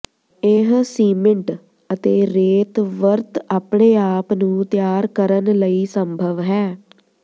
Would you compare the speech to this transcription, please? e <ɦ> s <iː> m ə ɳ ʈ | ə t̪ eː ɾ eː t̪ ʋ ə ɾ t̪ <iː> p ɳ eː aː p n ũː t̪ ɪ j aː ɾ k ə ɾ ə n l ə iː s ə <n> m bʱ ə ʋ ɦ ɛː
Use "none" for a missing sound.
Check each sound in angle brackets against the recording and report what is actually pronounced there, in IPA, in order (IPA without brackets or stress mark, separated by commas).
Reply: ɦ, iː, aː, none